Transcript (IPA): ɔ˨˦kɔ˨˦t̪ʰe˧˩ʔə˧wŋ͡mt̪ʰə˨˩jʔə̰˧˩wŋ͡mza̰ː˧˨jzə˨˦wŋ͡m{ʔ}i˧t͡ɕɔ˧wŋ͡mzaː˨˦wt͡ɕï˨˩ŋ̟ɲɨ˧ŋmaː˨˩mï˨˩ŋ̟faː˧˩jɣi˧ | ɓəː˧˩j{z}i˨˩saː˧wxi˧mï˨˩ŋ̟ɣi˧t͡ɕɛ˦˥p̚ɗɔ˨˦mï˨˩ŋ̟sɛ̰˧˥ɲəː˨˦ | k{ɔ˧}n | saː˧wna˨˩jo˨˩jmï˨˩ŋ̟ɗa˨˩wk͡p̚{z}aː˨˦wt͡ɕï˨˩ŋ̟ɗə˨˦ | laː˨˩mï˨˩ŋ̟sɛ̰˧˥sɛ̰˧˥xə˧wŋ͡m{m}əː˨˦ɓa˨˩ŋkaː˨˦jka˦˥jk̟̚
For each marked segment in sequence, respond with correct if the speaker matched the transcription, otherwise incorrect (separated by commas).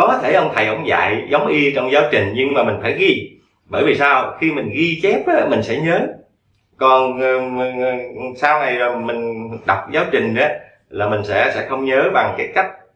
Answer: correct, incorrect, incorrect, correct, incorrect